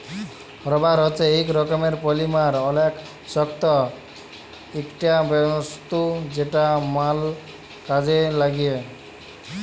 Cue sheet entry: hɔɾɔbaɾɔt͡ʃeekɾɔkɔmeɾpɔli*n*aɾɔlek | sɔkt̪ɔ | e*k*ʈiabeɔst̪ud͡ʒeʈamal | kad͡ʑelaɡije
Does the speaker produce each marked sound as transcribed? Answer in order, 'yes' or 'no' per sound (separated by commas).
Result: no, yes